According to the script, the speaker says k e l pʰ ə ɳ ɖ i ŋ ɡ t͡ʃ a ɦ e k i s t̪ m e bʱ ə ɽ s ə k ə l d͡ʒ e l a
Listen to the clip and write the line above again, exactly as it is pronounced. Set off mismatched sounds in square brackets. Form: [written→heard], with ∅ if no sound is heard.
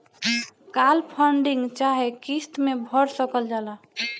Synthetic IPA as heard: k [e→a] l pʰ ə ɳ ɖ i ŋ ɡ t͡ʃ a ɦ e k i s t̪ m e bʱ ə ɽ s ə k ə l d͡ʒ [e→a] l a